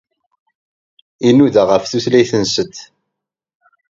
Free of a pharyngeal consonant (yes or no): yes